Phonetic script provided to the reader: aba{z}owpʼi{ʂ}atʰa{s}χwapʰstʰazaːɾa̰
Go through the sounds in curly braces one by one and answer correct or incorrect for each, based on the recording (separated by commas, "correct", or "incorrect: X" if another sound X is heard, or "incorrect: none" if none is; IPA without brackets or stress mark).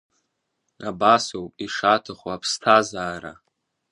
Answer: incorrect: s, correct, incorrect: none